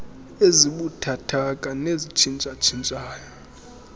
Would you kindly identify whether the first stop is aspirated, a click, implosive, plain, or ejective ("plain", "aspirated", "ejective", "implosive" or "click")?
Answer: implosive